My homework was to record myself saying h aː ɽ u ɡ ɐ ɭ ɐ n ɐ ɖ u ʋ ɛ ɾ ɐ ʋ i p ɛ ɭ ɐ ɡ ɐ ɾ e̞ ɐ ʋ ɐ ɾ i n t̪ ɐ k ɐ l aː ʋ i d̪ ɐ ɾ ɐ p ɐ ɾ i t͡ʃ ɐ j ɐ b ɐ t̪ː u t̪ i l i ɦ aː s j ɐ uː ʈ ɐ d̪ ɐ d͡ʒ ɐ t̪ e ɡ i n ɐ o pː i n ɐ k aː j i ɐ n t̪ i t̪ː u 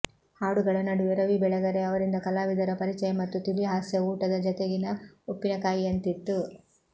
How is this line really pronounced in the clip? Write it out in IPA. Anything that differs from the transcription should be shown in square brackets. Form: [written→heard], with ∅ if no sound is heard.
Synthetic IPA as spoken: h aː ɽ u ɡ ɐ ɭ ɐ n ɐ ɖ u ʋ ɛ ɾ ɐ ʋ i [p→b] ɛ ɭ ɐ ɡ ɐ ɾ e̞ ɐ ʋ ɐ ɾ i n [t̪→d̪] ɐ k ɐ l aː ʋ i d̪ ɐ ɾ ɐ p ɐ ɾ i t͡ʃ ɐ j ɐ [b→m] ɐ t̪ː u t̪ i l i ɦ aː s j ɐ uː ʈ ɐ d̪ ɐ d͡ʒ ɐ t̪ e ɡ i n ɐ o pː i n ɐ k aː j i ɐ n t̪ i t̪ː u